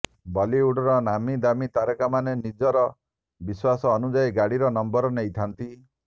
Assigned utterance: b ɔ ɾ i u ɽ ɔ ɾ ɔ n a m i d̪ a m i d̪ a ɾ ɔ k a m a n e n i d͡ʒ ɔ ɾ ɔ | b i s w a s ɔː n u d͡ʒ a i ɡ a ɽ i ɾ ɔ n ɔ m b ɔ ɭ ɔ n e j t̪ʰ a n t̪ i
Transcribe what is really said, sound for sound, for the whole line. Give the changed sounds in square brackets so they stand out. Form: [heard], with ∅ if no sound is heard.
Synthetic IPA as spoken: b ɔ [l] i u ɽ ɔ ɾ ɔ n a m i d̪ a m i [t̪] a ɾ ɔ k a m a n e n i d͡ʒ ɔ ɾ ɔ | b i s w a s ɔː n u d͡ʒ a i ɡ a ɽ i ɾ ɔ n ɔ m b ɔ [ɾ] ɔ n e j t̪ʰ a n t̪ i

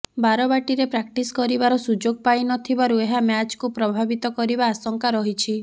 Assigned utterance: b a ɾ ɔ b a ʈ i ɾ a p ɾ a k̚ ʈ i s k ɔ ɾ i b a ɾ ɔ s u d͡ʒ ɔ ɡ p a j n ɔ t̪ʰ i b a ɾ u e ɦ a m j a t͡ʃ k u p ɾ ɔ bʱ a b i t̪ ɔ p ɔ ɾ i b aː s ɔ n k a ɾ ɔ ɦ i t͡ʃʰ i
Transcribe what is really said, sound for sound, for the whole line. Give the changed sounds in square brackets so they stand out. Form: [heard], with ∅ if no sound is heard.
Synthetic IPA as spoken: b a ɾ ɔ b a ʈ i ɾ [e] p ɾ a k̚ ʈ i s k ɔ ɾ i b a ɾ ɔ s u d͡ʒ [o] ɡ p a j n ɔ t̪ʰ i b a ɾ u e ɦ a m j a t͡ʃ k u p ɾ ɔ bʱ a b i t̪ ɔ [k] ɔ ɾ i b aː s ɔ [ŋ] k a ɾ ɔ ɦ i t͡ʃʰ i

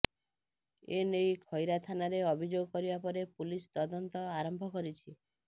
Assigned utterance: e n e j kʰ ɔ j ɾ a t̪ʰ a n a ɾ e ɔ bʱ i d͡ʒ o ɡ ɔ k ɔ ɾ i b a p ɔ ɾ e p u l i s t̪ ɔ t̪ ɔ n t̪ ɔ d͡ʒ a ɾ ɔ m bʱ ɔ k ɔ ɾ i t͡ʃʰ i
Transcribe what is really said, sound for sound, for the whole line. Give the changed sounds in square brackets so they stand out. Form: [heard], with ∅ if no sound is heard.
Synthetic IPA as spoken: e n e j kʰ ɔ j ɾ a t̪ʰ a n a ɾ e ɔ bʱ i d͡ʒ o ɡ ɔ k ɔ ɾ i b a p ɔ ɾ e p u l i s t̪ ɔ [d̪] ɔ n t̪ ɔ [∅] a ɾ ɔ m bʱ ɔ k ɔ ɾ i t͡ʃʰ i

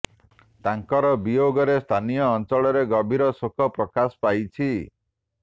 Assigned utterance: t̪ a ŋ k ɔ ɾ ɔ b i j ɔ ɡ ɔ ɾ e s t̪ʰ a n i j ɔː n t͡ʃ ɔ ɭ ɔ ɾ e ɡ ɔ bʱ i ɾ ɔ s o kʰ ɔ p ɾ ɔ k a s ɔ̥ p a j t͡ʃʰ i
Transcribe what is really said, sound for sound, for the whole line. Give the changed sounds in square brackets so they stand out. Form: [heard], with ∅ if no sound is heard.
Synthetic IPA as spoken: t̪ a ŋ k ɔ ɾ ɔ b i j [o] ɡ ɔ ɾ e s t̪ʰ a n i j ɔː n t͡ʃ ɔ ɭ ɔ ɾ e ɡ ɔ bʱ i ɾ ɔ s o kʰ ɔ p ɾ ɔ k a s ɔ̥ p a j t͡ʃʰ i

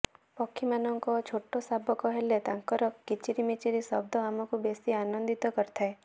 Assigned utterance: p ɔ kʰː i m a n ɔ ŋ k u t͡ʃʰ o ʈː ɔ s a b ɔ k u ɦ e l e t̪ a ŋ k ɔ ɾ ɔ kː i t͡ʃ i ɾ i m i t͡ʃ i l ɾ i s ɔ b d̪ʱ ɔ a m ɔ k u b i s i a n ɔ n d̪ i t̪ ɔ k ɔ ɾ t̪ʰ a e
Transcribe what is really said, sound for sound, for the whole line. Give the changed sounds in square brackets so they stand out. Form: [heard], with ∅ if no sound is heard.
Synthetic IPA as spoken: p ɔ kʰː i m a n ɔ ŋ k [ɔ] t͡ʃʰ o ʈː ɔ s a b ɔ k [ɔ] ɦ e l e t̪ a ŋ k ɔ ɾ ɔ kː i t͡ʃ i ɾ i m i t͡ʃ i [∅] ɾ i s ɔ b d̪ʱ ɔ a m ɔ k u b [e] s i a n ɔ n d̪ i t̪ ɔ k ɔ ɾ t̪ʰ a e

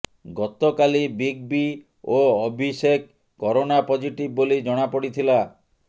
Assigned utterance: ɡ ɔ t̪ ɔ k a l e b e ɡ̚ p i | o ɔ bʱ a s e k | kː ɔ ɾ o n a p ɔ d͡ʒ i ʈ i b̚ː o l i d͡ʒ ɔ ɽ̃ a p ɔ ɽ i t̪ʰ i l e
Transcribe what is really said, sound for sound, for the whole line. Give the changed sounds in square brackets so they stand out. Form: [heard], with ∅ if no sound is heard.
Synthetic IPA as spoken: ɡ ɔ t̪ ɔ k a l [i] b [i] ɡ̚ [b] i | o ɔ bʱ [i] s e k | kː ɔ ɾ o n a p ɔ d͡ʒ i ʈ i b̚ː o l i d͡ʒ ɔ ɽ̃ a p ɔ ɽ i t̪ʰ i l [a]

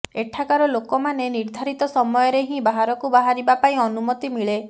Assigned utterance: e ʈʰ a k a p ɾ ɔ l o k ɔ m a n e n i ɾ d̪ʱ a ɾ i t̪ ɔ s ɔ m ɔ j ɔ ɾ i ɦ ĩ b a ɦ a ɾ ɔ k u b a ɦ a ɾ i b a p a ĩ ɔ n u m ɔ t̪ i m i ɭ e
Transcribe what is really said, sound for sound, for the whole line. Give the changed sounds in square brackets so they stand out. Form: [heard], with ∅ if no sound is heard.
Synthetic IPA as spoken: e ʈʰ a k a [∅] ɾ ɔ l o k ɔ m a n e n i ɾ d̪ʱ a ɾ i t̪ ɔ s ɔ m ɔ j ɔ ɾ [e] ɦ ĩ b a ɦ a ɾ ɔ k u b a ɦ a ɾ i b a p a ĩ ɔ n u m ɔ t̪ i m i ɭ e

